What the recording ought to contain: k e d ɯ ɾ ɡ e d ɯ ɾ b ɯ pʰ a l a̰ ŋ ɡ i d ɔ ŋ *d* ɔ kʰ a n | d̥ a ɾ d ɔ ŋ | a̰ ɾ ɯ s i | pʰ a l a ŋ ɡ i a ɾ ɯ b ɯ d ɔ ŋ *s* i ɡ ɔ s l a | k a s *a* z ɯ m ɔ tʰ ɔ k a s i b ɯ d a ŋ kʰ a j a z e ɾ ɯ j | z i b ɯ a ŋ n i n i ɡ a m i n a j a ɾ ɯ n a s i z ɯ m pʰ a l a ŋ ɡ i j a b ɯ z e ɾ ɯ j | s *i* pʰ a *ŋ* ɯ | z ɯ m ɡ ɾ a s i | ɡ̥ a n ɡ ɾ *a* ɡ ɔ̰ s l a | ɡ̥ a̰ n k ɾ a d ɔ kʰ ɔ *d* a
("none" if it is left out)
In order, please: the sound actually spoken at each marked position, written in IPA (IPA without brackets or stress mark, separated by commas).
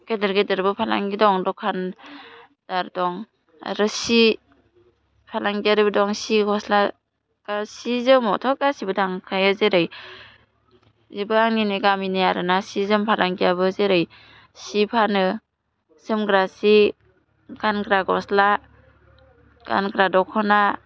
d, s, i, i, n, a, n